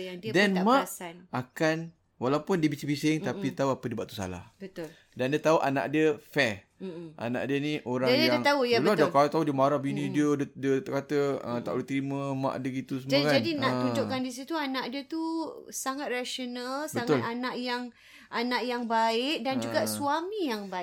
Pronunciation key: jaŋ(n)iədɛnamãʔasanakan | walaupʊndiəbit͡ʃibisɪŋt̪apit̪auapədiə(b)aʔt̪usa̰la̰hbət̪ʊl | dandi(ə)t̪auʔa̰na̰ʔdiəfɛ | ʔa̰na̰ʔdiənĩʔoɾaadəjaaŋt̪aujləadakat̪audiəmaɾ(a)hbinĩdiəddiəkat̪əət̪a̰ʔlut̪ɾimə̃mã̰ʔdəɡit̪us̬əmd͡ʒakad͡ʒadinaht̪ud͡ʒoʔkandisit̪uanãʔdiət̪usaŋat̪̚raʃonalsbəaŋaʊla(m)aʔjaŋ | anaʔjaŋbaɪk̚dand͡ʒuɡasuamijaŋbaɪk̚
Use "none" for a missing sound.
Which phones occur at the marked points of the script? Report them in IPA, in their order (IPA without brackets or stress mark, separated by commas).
d, b, ə, a, n